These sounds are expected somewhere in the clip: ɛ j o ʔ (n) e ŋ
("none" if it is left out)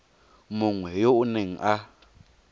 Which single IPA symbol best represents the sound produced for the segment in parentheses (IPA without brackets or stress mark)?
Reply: n